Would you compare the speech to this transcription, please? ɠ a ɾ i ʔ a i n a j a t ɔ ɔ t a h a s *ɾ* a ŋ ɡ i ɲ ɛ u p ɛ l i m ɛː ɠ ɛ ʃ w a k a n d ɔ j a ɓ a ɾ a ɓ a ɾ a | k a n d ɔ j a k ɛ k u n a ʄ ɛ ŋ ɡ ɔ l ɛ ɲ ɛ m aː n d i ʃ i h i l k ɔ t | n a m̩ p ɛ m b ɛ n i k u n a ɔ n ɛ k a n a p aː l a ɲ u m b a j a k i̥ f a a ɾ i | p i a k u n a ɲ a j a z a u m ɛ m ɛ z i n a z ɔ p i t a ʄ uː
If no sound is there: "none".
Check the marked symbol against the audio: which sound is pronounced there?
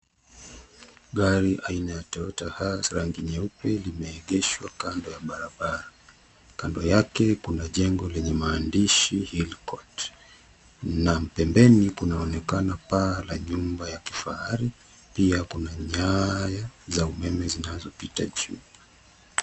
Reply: ɾ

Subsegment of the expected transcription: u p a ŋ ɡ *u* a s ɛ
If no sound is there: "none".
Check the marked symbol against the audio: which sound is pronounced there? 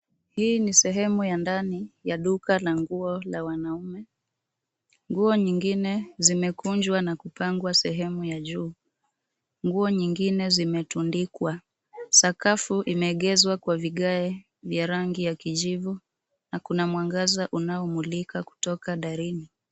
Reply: w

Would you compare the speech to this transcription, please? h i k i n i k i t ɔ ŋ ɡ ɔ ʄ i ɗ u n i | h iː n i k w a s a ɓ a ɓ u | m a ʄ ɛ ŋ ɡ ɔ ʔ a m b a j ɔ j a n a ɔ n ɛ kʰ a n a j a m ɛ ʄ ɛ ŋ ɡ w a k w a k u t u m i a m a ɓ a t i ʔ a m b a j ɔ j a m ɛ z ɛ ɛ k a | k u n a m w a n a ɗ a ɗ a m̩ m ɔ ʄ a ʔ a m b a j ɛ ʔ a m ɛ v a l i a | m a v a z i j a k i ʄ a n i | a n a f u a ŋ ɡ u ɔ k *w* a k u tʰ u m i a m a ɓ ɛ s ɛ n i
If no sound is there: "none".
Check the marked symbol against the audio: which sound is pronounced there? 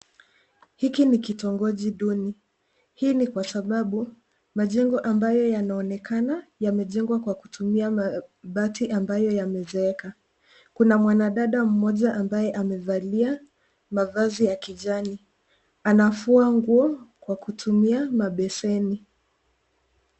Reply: w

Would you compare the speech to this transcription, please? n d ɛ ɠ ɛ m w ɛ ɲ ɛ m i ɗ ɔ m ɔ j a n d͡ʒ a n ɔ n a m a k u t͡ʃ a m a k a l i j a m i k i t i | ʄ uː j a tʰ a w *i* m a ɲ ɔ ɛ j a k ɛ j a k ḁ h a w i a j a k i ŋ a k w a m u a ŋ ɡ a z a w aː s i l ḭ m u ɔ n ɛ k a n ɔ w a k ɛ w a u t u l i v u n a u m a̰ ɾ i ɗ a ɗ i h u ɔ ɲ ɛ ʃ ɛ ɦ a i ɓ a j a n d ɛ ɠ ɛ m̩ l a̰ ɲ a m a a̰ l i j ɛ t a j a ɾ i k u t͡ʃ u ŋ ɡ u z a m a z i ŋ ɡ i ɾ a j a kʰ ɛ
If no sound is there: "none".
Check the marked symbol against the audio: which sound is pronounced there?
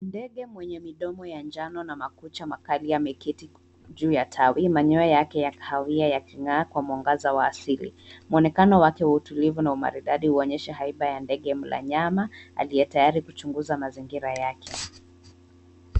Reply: i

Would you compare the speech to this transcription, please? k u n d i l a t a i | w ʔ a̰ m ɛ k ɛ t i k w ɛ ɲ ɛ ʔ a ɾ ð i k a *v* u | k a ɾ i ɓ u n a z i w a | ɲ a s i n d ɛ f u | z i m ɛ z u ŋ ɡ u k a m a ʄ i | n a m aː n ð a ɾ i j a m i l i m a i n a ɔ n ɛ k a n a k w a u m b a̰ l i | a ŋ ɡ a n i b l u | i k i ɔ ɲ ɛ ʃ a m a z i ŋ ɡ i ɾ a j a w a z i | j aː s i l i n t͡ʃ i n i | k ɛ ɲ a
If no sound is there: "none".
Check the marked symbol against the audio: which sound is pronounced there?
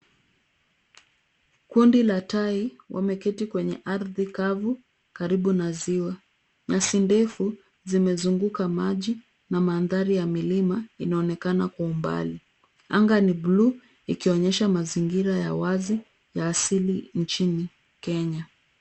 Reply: v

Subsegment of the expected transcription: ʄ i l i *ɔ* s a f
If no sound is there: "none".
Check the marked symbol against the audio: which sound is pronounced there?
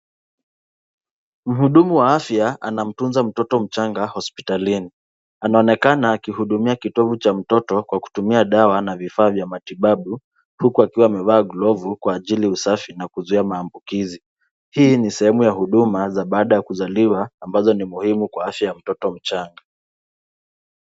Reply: u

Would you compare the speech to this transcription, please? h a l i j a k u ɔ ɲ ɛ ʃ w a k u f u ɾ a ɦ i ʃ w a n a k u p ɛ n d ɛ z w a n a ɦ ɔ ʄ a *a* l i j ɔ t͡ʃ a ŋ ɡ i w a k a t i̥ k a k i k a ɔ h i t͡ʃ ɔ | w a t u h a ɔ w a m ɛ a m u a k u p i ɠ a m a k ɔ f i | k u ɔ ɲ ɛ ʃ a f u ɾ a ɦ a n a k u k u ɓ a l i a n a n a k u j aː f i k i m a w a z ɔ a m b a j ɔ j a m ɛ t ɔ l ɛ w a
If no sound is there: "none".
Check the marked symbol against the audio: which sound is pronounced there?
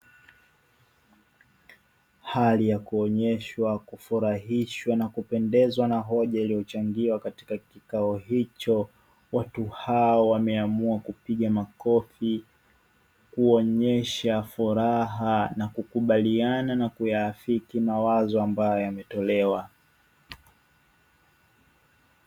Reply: i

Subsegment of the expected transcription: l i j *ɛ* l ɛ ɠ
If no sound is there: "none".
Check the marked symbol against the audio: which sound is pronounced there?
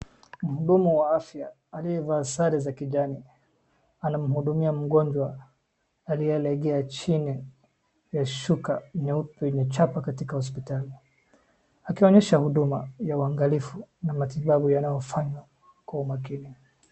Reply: ɛ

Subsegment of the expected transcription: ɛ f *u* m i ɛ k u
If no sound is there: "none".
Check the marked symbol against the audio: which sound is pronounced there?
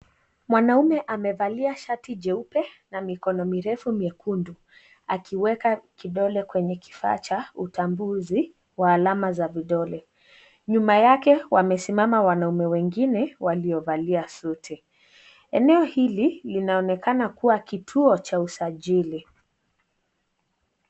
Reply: u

